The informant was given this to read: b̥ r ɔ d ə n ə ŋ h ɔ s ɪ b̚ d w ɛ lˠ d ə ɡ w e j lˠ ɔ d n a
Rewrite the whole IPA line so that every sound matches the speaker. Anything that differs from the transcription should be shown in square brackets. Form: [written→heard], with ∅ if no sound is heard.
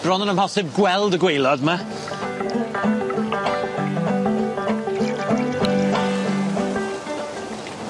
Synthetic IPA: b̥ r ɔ [d→n] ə n ə [ŋ→m] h ɔ s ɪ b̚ [d→ɡ] w ɛ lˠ d ə ɡ w e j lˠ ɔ d [n→m] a